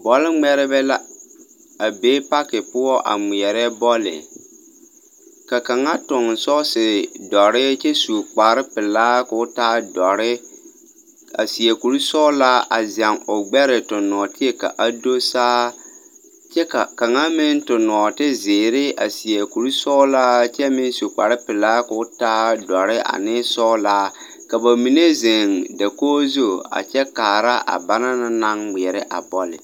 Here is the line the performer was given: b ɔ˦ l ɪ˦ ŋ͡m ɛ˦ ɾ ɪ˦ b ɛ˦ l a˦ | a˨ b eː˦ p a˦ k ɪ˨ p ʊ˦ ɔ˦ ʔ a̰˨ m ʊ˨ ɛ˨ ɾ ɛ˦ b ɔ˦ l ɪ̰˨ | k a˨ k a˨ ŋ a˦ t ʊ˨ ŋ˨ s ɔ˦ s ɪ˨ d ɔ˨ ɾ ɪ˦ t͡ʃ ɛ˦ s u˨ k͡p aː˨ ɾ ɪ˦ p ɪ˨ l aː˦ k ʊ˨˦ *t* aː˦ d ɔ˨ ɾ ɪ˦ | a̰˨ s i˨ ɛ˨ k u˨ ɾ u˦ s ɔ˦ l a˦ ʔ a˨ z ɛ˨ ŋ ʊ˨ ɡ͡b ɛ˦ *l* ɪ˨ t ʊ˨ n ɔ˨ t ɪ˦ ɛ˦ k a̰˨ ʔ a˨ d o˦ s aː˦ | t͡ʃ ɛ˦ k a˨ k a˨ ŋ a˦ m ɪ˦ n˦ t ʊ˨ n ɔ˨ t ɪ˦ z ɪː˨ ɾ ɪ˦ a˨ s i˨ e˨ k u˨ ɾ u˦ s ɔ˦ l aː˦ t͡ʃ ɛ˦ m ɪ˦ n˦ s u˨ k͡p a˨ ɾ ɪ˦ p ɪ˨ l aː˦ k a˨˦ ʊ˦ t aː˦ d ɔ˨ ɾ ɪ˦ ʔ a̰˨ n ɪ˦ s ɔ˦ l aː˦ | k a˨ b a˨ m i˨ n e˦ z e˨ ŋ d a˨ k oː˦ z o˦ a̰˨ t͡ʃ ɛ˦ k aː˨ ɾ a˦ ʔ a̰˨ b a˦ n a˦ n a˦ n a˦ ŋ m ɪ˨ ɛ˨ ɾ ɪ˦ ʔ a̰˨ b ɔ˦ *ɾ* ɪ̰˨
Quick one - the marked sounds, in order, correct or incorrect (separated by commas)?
correct, incorrect, incorrect